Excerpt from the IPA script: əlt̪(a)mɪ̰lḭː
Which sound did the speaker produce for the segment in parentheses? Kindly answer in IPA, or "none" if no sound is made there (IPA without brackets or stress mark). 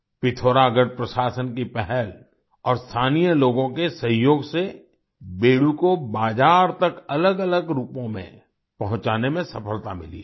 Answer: a